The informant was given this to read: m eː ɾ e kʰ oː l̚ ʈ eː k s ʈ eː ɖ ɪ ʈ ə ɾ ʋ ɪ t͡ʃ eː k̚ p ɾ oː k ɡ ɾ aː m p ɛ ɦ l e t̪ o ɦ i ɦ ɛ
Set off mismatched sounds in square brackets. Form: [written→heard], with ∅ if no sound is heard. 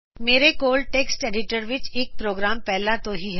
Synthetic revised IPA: m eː ɾ e [kʰ→k] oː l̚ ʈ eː k s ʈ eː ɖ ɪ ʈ ə ɾ ʋ ɪ t͡ʃ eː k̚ p ɾ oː [k→∅] ɡ ɾ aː m p ɛ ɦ l [e→a] t̪ o ɦ i ɦ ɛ

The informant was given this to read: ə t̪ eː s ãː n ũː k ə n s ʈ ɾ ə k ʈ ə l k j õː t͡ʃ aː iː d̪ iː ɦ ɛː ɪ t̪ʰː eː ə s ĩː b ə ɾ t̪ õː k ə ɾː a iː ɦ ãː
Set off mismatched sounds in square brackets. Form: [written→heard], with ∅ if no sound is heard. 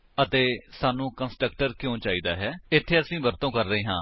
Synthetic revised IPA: ə t̪ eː s [ãː→aː] n ũː k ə n s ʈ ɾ ə k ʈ ə [l→ɾ] k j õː t͡ʃ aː iː d̪ [iː→aː] ɦ ɛː ɪ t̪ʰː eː ə s ĩː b ə ɾ t̪ õː k ə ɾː [a→ə] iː ɦ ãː

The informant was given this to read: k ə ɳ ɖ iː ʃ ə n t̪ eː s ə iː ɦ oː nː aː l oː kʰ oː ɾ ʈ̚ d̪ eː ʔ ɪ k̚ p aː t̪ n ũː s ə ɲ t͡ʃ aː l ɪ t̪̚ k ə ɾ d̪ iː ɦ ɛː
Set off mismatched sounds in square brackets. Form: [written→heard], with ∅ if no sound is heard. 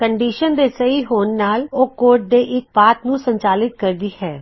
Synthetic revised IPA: k ə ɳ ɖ iː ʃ ə n [t̪→d̪] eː s ə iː ɦ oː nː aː l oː [kʰ→k] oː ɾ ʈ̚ d̪ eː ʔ ɪ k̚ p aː t̪ n ũː s ə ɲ t͡ʃ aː l ɪ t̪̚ k ə ɾ d̪ iː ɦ ɛː

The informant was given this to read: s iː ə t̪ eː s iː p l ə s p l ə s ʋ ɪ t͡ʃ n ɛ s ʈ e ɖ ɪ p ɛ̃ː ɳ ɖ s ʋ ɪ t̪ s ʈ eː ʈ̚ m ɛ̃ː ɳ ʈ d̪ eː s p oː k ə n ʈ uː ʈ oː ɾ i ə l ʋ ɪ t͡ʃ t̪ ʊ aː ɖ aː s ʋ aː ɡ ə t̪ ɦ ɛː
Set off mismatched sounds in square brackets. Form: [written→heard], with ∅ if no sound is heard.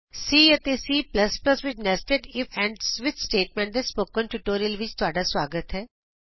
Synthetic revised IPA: s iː ə t̪ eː s iː p l ə s p l ə s ʋ ɪ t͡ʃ n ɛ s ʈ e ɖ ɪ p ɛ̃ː ɳ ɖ s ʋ ɪ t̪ s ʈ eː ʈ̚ m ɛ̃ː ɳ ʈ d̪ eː s p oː k ə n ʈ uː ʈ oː ɾ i ə l ʋ ɪ t͡ʃ t̪ ʊ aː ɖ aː s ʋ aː ɡ ə t̪ ɦ ɛː

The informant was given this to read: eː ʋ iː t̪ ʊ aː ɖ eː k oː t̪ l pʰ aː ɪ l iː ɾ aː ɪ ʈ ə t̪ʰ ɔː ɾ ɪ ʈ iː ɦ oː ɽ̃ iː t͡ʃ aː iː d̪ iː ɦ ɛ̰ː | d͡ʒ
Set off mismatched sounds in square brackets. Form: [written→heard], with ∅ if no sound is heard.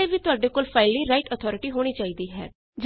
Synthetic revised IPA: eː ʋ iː t̪ ʊ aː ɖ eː k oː [t̪→∅] l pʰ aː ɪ l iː ɾ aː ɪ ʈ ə t̪ʰ ɔː ɾ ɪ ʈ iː ɦ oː ɽ̃ iː t͡ʃ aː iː d̪ iː ɦ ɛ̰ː | d͡ʒ

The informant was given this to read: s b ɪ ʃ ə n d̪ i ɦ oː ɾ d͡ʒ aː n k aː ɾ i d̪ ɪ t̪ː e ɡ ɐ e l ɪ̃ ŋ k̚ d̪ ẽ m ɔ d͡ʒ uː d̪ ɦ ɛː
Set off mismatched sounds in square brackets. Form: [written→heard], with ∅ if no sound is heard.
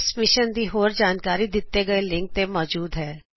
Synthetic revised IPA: s [b→m] ɪ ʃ ə n d̪ i ɦ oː ɾ d͡ʒ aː n k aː ɾ i d̪ ɪ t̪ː e ɡ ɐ e l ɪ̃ ŋ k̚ [d̪→t̪] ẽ m [ɔ→ɔː] d͡ʒ uː d̪ ɦ ɛː

